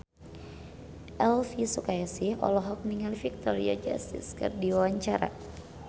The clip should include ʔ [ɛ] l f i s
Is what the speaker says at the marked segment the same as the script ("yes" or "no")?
yes